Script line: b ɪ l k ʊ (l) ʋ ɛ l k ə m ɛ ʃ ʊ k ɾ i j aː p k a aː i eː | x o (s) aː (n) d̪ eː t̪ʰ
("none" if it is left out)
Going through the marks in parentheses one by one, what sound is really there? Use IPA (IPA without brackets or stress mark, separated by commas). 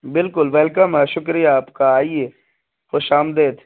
l, ʃ, m